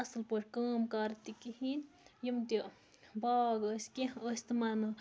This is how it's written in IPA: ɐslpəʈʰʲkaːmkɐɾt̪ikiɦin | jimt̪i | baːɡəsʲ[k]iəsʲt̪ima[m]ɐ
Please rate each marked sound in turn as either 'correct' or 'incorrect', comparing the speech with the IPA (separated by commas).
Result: correct, incorrect